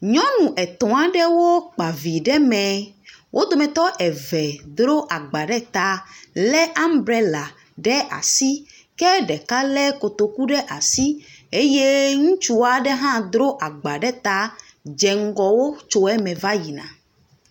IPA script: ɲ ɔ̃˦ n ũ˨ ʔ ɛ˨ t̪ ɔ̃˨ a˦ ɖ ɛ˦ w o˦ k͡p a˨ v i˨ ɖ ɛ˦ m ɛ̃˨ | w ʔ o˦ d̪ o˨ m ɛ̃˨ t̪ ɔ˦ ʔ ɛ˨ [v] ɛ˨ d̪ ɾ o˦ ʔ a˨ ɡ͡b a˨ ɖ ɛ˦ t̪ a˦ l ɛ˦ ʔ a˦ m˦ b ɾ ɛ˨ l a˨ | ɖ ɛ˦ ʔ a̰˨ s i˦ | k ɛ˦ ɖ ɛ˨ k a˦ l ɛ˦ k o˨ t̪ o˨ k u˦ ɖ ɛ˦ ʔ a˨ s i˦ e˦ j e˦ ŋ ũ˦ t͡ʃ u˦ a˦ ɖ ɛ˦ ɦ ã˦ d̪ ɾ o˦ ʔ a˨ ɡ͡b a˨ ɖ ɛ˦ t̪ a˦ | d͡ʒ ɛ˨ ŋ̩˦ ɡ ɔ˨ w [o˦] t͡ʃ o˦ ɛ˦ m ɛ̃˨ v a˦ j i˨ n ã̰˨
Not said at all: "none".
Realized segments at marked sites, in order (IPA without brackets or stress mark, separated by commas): v, o˦